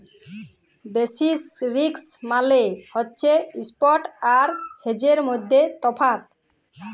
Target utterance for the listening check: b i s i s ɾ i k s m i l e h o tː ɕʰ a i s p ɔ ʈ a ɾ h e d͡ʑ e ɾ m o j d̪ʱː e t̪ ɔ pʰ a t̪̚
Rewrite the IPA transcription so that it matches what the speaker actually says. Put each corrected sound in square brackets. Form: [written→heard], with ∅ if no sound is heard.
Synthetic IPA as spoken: b [i→e] s i s ɾ i k s m [i→a] l e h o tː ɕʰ [a→e] i s p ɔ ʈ a ɾ h e d͡ʑ e ɾ m o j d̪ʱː e t̪ ɔ pʰ a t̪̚